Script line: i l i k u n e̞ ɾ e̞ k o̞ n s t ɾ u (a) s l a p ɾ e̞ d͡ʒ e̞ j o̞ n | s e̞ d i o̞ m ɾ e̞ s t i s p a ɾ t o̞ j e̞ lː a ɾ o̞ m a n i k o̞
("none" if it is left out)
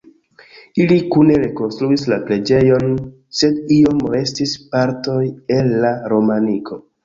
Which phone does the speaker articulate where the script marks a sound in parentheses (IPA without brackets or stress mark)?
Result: i